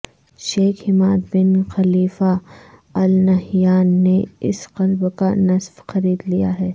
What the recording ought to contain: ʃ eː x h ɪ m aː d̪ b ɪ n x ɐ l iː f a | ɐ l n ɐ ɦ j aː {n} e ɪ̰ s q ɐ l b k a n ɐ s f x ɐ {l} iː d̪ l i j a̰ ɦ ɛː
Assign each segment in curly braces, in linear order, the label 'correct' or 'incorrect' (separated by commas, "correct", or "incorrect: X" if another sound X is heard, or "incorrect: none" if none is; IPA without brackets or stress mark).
incorrect: nː, incorrect: ɾ